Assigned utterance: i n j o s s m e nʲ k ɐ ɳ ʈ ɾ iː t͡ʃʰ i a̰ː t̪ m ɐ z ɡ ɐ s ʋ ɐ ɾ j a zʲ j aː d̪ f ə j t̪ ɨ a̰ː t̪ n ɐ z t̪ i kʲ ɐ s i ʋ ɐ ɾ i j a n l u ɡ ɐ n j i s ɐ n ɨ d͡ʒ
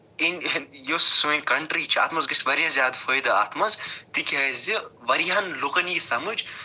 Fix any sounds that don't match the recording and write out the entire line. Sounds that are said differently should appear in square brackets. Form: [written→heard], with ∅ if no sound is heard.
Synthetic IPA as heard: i n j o s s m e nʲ k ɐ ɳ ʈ ɾ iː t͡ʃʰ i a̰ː t̪ m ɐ z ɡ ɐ s ʋ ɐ ɾ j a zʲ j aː d̪ f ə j [t̪→d̪] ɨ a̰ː t̪ [n→m] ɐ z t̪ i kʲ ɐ [s→z] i ʋ ɐ ɾ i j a n l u [ɡ→k] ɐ n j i s ɐ [n→m] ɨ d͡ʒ

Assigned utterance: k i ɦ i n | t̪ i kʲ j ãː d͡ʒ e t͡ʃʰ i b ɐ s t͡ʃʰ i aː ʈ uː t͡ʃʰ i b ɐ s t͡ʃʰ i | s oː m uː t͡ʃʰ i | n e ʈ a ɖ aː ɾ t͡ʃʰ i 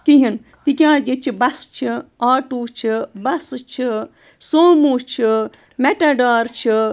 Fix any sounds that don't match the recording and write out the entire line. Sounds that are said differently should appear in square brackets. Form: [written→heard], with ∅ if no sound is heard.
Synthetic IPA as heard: k i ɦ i n | t̪ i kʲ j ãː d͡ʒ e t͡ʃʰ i b ɐ s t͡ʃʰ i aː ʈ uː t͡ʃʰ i b ɐ s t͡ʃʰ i | s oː m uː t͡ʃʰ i | [n→m] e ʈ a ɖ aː ɾ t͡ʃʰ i

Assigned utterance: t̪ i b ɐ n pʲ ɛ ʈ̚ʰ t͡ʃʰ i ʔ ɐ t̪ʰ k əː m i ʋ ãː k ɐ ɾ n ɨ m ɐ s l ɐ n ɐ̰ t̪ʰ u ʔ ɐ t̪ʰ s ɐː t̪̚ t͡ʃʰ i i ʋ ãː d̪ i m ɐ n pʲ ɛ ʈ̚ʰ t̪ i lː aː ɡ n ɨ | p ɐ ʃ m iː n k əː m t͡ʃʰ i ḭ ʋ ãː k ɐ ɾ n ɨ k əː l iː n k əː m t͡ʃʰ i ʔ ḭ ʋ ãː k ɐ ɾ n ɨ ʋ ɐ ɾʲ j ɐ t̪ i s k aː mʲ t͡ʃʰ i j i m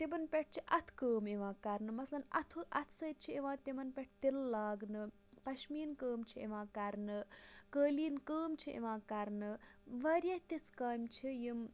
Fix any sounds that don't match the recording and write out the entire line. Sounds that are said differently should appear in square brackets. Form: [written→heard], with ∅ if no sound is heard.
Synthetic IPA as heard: t̪ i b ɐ n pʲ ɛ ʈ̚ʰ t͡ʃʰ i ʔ ɐ t̪ʰ k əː m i ʋ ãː k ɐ ɾ n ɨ m ɐ s l ɐ n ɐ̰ t̪ʰ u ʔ ɐ t̪ʰ s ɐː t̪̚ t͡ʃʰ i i ʋ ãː [d̪→t̪] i m ɐ n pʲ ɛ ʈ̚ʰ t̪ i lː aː ɡ n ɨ | p ɐ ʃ m iː n k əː m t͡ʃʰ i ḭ ʋ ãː k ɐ ɾ n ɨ k əː l iː n k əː m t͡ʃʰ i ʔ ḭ ʋ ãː k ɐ ɾ n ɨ ʋ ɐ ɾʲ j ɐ t̪ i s k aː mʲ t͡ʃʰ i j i m

